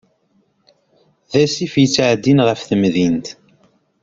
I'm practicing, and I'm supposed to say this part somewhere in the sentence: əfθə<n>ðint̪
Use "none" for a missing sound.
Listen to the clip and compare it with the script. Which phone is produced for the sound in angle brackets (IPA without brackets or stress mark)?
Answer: m